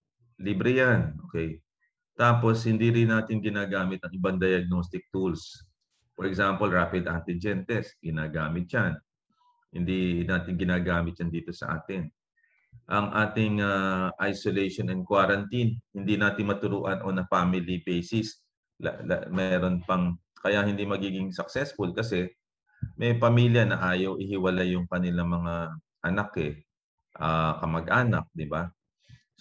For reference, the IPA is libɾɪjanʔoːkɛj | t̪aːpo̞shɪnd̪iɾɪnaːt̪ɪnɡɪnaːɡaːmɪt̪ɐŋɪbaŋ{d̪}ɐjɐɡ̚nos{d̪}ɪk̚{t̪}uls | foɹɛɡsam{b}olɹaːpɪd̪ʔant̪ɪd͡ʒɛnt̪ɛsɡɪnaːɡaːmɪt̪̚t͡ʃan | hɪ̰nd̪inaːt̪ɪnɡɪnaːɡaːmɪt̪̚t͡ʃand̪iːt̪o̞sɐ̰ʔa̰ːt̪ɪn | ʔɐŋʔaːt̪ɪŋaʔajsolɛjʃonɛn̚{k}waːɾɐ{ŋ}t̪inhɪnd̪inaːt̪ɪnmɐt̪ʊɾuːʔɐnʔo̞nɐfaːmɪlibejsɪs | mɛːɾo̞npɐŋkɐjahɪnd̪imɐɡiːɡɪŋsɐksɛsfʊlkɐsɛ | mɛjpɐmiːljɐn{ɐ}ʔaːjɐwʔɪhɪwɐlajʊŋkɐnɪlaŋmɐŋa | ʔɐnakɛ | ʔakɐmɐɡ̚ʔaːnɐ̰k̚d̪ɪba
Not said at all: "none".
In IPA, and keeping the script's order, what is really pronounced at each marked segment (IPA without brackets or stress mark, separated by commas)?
d̪, t̪, t̪, p, k, n, ɐ